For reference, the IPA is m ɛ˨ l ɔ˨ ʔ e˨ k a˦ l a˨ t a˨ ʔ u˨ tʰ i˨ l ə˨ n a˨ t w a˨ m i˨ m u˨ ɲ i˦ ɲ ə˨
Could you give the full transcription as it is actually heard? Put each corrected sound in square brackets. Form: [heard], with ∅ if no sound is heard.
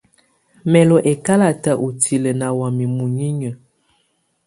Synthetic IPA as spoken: m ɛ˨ l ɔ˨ ʔ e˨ k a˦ l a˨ t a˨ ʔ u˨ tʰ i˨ l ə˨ n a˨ [∅] w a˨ m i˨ m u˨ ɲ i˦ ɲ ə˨